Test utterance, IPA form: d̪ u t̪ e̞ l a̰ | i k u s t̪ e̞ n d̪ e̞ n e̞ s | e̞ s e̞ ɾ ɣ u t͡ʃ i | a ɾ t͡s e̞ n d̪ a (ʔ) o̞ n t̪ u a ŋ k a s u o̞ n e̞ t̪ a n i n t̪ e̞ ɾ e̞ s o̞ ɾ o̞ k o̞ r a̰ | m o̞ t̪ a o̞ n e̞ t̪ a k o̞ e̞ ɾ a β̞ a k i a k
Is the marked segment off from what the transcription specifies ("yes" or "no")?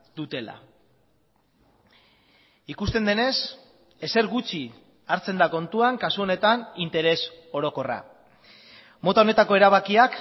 yes